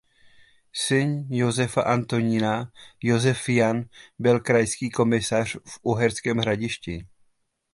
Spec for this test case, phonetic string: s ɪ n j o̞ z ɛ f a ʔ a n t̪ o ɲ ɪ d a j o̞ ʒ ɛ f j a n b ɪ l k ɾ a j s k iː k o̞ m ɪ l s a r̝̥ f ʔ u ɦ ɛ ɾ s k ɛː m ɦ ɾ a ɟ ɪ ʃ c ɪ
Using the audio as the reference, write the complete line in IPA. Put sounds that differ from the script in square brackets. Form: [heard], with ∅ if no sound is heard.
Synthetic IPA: s ɪ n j o̞ z ɛ f a ʔ a n t̪ o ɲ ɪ [n] a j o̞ [z] ɛ f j a n b ɪ l k ɾ a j s k iː k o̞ m ɪ [∅] s a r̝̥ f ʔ u ɦ ɛ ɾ s k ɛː m ɦ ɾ a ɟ ɪ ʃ c ɪ